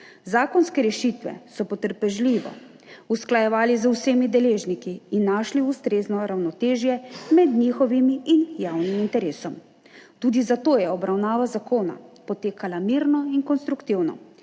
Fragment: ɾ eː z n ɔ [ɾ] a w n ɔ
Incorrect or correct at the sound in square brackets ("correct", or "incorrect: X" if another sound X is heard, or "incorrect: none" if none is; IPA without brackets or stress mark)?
correct